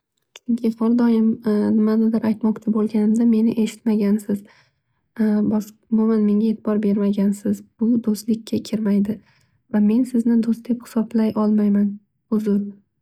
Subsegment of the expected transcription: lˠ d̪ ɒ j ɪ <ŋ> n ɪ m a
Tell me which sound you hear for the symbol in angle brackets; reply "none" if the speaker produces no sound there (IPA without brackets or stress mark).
m